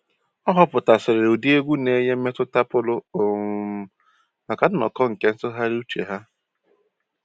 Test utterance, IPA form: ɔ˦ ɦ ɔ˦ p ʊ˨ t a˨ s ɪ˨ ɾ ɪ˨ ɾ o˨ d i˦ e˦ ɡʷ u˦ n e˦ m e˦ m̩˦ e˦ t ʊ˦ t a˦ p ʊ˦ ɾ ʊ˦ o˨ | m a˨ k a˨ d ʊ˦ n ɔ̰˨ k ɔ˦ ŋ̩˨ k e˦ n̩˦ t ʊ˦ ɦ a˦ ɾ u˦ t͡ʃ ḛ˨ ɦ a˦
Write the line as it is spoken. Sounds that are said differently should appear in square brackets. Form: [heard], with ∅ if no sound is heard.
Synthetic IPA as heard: ɔ˦ ɦ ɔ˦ p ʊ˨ t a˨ s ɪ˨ ɾ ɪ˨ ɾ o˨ d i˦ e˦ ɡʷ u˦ n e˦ [ɲ] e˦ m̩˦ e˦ t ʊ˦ t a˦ p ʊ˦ [l] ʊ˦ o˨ | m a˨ k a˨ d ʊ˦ n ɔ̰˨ k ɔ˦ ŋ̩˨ k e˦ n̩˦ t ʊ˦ ɦ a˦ ɾ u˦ t͡ʃ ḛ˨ ɦ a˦

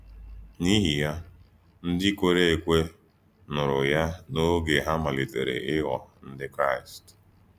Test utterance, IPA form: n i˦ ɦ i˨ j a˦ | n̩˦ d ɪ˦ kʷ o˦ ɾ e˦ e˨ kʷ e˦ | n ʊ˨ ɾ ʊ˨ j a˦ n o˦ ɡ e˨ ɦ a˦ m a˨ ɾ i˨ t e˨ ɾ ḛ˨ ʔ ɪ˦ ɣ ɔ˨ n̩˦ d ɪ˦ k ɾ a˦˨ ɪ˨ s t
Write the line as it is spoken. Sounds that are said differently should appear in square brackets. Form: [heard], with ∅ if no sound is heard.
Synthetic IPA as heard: n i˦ ɦ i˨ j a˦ | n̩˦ d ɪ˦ kʷ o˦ ɾ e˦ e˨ kʷ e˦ | n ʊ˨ ɾ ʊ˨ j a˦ n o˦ ɡ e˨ ɦ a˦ m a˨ [l] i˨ t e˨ ɾ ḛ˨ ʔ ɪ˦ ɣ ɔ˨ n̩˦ d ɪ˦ k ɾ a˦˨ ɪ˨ s t

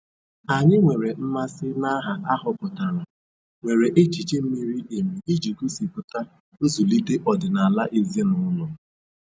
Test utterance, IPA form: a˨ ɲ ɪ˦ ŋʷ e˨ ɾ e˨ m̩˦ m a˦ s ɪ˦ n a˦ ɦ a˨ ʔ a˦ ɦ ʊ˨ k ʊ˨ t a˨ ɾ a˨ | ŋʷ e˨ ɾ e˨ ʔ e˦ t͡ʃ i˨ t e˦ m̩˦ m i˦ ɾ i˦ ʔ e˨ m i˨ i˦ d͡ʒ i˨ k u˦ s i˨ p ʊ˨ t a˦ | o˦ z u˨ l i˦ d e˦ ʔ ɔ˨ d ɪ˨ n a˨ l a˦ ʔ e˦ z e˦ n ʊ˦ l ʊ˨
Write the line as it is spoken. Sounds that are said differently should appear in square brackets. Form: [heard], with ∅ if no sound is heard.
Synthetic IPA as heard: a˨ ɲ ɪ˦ ŋʷ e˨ ɾ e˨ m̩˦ m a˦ s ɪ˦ n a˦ ɦ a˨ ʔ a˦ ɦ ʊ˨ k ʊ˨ t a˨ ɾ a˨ | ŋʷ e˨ ɾ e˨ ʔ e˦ t͡ʃ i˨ [t͡ʃ] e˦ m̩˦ m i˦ ɾ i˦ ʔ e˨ m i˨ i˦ d͡ʒ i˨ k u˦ s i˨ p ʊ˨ t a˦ | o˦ z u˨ l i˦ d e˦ ʔ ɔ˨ d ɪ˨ n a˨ l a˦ ʔ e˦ z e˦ n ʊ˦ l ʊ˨

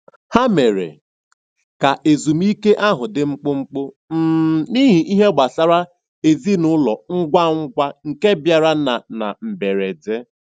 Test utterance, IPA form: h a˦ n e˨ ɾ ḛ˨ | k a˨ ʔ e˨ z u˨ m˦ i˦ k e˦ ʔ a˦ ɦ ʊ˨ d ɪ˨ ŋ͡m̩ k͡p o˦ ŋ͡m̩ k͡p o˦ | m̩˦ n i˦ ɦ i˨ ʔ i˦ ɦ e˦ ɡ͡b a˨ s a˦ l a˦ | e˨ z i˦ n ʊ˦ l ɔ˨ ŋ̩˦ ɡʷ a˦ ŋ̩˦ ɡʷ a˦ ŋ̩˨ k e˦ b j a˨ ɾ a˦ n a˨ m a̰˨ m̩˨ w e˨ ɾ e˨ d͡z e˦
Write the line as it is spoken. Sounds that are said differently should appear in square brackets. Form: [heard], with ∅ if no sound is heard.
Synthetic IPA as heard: h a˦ [m] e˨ ɾ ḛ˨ | k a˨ ʔ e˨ z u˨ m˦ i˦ k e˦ ʔ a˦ ɦ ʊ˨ d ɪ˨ ŋ͡m̩ k͡p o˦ ŋ͡m̩ k͡p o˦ | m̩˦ n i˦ ɦ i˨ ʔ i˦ ɦ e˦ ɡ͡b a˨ s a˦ [ɾ] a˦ | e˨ z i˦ n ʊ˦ l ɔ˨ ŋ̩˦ ɡʷ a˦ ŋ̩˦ ɡʷ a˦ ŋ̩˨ k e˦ b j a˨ ɾ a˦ n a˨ [n] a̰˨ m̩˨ [b] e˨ ɾ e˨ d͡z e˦

